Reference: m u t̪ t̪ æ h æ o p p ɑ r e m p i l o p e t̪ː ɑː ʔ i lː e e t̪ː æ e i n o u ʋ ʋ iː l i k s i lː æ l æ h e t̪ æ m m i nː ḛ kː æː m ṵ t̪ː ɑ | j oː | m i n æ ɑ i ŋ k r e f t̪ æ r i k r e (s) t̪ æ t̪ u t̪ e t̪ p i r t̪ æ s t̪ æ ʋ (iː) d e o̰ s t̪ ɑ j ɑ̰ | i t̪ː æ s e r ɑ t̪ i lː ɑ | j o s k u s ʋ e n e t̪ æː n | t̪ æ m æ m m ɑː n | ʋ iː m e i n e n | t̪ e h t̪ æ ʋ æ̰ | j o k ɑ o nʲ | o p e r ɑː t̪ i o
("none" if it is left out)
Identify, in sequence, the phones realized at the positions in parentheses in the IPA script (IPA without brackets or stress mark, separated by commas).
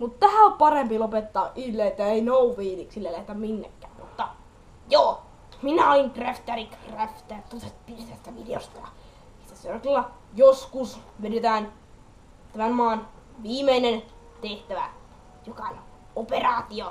f, i